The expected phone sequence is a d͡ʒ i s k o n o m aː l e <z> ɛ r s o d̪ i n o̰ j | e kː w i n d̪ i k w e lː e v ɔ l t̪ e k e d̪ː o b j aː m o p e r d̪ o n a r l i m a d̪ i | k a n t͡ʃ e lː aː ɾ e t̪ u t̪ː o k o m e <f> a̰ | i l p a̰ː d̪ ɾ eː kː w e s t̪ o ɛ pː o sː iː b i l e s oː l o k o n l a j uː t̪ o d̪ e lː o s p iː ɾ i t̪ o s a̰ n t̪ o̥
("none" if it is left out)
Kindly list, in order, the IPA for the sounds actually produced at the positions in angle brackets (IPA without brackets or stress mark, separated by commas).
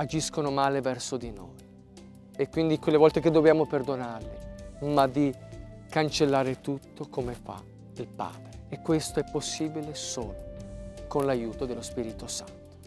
v, f